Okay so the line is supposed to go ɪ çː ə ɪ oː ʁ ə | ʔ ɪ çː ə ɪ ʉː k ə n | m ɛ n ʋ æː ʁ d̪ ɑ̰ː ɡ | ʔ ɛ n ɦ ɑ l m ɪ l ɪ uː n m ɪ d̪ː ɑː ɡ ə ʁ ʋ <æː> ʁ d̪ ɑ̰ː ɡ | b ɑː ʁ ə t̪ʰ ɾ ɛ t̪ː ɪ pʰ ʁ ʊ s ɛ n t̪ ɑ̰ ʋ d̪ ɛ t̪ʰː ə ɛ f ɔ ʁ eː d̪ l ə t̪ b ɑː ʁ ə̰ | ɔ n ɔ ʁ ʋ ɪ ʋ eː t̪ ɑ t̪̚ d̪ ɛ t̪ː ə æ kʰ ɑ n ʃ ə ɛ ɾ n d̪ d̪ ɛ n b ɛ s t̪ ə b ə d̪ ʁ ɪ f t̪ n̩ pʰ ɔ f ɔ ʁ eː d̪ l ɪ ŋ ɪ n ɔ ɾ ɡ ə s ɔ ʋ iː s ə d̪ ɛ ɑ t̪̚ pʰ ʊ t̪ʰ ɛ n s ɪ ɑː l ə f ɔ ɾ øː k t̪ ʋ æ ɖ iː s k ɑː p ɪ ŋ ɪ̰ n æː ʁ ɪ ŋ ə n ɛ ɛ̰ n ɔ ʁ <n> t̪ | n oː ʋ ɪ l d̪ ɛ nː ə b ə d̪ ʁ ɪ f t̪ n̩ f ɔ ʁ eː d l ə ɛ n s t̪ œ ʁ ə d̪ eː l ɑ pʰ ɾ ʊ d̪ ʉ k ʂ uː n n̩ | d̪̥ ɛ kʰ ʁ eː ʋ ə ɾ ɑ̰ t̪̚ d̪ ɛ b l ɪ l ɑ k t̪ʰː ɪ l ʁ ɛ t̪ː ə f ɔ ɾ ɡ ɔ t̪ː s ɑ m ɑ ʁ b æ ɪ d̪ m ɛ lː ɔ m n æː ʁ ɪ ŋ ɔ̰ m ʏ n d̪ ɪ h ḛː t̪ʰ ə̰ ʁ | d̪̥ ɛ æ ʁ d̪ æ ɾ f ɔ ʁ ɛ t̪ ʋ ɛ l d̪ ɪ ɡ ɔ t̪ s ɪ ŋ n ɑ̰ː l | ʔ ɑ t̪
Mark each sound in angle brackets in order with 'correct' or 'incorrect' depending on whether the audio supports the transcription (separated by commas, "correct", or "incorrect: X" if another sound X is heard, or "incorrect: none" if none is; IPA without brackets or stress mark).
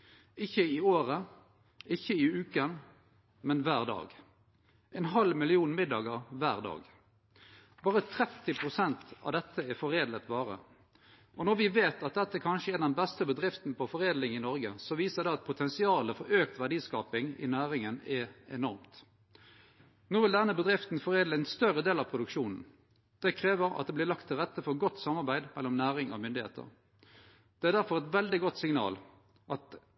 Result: correct, incorrect: m